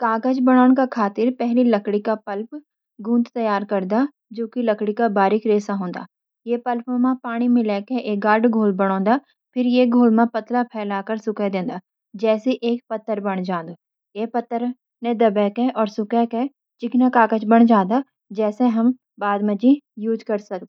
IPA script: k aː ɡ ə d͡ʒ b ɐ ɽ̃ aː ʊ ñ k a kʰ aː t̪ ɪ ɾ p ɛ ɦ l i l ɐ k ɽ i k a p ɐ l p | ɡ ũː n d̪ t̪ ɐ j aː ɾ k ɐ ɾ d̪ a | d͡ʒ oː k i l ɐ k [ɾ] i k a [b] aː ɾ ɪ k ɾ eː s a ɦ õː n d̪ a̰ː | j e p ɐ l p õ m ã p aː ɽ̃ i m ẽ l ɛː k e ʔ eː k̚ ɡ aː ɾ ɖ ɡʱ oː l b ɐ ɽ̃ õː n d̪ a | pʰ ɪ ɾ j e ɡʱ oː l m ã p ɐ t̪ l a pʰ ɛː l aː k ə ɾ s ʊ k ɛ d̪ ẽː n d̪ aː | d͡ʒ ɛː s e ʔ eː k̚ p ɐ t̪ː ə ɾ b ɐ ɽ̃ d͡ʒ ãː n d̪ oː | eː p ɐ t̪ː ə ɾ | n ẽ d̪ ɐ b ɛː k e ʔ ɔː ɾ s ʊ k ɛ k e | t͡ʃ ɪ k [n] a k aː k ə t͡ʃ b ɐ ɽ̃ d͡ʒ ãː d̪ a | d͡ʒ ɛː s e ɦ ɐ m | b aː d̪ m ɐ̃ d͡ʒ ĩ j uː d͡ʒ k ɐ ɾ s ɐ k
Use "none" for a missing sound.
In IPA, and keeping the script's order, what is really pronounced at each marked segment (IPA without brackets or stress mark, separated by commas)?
ɽ, b, n